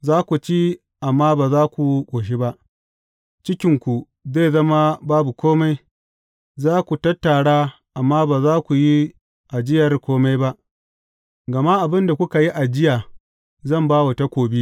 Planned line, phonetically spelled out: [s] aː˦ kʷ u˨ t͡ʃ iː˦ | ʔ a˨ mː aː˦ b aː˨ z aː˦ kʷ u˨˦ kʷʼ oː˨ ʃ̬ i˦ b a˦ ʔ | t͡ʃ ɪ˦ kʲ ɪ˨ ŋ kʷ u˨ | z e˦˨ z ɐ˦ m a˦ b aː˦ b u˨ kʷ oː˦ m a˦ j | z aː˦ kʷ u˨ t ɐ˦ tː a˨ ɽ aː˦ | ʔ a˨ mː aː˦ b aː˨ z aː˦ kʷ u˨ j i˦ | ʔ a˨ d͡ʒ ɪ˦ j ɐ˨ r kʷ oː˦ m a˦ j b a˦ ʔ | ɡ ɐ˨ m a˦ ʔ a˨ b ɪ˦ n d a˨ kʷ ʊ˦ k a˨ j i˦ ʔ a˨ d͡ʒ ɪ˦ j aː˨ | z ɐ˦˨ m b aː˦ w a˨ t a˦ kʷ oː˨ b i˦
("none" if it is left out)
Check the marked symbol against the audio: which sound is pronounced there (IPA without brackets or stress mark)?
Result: z